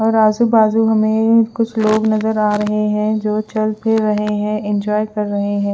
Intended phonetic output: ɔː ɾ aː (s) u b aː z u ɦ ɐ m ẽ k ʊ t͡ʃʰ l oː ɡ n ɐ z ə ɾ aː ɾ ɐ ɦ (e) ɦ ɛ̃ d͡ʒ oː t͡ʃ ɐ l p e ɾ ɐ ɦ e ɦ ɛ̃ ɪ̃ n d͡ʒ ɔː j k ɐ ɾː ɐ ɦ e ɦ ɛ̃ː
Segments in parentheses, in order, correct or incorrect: incorrect: z, correct

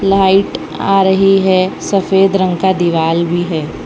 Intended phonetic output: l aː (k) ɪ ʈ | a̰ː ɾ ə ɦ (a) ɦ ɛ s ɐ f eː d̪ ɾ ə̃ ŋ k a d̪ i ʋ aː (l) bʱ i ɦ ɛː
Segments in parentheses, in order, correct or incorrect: incorrect: none, incorrect: i, correct

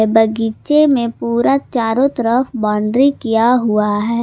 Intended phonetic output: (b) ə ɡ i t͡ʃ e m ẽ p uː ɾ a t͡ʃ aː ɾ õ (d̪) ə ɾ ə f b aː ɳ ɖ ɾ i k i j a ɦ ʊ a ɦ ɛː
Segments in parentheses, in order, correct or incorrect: correct, incorrect: t̪

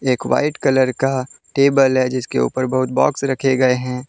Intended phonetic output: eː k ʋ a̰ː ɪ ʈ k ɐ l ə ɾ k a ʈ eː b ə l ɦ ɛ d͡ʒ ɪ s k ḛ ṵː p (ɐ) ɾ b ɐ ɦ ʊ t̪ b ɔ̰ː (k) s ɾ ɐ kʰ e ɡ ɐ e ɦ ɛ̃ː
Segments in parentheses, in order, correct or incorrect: incorrect: ə, correct

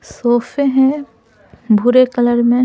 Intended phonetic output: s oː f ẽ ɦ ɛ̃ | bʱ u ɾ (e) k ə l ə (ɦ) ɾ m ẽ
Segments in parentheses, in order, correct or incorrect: correct, incorrect: none

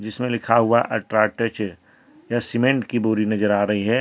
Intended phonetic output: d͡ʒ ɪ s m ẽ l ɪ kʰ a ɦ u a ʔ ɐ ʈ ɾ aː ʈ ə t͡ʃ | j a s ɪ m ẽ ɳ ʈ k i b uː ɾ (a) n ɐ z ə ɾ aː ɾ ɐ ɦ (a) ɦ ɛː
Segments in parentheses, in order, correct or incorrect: incorrect: i, incorrect: i

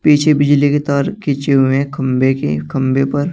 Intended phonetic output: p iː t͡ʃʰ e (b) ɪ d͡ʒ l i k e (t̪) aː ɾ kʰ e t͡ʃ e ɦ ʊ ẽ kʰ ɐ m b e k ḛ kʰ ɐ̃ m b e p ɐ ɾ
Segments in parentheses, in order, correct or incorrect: correct, correct

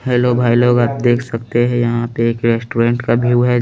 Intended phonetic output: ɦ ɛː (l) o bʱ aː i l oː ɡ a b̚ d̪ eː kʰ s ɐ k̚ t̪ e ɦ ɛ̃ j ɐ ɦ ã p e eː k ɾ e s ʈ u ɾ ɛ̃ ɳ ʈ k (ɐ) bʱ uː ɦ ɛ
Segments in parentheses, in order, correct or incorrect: correct, incorrect: a

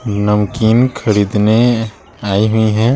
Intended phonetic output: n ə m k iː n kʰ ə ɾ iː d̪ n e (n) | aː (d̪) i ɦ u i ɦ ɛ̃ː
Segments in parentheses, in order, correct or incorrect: incorrect: none, incorrect: none

